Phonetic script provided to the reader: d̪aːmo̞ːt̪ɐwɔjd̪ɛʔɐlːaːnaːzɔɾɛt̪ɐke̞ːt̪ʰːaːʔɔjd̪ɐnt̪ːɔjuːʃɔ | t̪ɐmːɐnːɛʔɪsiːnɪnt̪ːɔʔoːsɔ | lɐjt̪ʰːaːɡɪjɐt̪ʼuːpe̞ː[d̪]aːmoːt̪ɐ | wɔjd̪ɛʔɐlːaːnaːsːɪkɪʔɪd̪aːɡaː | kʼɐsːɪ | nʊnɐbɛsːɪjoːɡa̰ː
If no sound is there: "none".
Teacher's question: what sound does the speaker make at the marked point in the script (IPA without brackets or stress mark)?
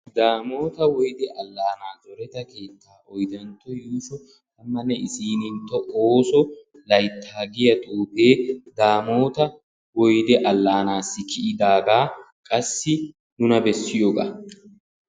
d̪